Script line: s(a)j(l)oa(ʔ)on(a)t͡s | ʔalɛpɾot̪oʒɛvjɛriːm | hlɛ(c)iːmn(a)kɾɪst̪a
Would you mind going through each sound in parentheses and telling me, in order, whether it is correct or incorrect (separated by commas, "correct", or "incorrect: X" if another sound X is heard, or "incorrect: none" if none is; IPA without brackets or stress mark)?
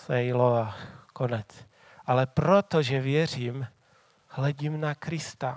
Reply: incorrect: ɛ, correct, incorrect: k, incorrect: ɛ, incorrect: ɟ, correct